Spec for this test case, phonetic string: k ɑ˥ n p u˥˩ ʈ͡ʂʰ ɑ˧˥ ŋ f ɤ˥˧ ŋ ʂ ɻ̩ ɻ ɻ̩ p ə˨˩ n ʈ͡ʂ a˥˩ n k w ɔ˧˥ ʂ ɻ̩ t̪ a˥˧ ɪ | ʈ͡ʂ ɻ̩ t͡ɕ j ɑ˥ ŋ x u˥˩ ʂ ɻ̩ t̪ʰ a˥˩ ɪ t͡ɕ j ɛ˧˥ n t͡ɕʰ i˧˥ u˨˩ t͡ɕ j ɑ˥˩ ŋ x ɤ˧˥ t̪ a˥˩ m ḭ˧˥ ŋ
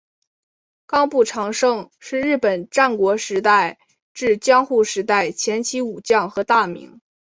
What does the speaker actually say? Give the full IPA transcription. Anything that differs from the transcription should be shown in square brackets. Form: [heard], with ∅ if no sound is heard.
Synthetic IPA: k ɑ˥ [ŋ] p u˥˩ ʈ͡ʂʰ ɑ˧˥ ŋ [ʂ] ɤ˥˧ ŋ ʂ ɻ̩ ɻ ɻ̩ p ə˨˩ n ʈ͡ʂ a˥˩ n k w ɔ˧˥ ʂ ɻ̩ t̪ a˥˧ ɪ | ʈ͡ʂ ɻ̩ t͡ɕ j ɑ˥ ŋ x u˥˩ ʂ ɻ̩ [t̪] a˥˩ ɪ [t͡ɕʰ] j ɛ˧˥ n t͡ɕʰ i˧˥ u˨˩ t͡ɕ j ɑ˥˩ ŋ x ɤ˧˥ t̪ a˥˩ m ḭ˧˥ ŋ